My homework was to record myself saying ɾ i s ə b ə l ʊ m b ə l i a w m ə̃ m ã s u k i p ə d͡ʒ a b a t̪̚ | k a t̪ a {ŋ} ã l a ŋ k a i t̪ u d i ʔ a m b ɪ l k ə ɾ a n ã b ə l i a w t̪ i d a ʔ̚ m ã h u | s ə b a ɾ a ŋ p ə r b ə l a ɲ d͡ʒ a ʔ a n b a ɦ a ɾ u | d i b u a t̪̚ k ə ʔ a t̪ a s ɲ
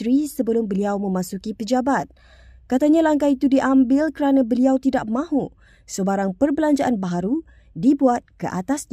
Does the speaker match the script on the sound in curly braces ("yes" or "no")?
no